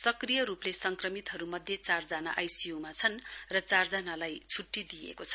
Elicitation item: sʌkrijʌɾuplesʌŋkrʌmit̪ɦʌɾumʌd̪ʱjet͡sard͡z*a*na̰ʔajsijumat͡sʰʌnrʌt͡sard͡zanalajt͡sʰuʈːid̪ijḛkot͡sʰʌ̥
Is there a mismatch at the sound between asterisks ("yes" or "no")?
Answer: no